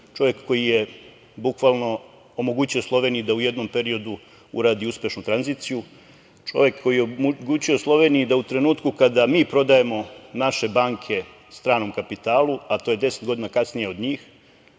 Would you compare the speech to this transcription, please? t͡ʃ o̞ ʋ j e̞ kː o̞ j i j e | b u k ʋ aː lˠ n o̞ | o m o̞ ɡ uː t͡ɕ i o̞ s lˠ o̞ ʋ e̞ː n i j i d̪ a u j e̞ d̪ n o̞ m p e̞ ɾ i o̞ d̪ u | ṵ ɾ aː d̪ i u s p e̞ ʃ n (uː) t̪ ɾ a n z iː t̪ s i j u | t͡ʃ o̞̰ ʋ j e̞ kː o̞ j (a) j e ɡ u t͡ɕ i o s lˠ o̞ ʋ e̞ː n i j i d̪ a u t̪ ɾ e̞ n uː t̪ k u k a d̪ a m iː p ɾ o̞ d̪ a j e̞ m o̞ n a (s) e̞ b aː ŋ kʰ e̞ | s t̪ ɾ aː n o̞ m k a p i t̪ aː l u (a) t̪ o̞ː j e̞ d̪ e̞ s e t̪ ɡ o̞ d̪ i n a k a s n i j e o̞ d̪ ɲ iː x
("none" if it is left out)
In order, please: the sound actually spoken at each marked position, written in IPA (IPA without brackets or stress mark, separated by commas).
u, i, ʃ, a